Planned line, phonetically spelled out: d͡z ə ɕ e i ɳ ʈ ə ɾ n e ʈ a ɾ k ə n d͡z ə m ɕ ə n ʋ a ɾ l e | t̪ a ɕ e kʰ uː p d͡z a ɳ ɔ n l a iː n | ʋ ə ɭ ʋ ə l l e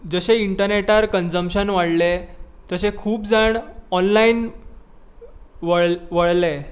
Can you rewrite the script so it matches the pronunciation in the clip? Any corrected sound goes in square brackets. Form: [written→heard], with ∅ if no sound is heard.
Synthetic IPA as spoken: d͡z ə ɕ e i ɳ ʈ ə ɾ n e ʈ a ɾ k ə n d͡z ə m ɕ ə n ʋ a [ɾ→ɽ] l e | t̪ [a→ə] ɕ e kʰ uː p d͡z a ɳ ɔ n l a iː n | ʋ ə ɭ ʋ ə [l→ɭ] l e